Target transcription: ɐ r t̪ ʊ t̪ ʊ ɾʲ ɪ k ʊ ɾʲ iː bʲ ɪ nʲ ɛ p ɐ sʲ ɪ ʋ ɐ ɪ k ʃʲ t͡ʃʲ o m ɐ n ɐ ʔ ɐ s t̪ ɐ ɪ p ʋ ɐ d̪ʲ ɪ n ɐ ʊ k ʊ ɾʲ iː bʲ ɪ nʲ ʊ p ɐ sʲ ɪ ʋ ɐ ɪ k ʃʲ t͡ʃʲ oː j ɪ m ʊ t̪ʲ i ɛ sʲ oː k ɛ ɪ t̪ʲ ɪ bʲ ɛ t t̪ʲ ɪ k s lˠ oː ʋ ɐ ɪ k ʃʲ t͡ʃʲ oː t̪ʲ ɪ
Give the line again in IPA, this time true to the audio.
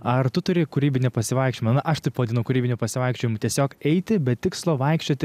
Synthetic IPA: ɐ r t̪ ʊ t̪ ʊ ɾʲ ɪ k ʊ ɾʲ iː bʲ ɪ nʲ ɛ p ɐ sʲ ɪ ʋ ɐ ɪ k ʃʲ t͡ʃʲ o m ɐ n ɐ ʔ ɐ ʃ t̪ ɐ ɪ p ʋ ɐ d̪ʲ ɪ n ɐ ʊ k ʊ ɾʲ iː bʲ ɪ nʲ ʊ p ɐ sʲ ɪ ʋ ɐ ɪ k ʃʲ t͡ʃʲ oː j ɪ m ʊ t̪ʲ i ɛ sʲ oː k ɛ ɪ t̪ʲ ɪ bʲ ɛ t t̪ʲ ɪ k s lˠ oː ʋ ɐ ɪ k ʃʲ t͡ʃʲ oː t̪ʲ ɪ